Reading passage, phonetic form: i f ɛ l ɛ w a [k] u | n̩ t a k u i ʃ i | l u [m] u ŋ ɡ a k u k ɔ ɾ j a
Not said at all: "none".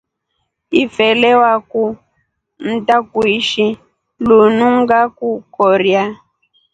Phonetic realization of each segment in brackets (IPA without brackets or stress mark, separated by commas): k, n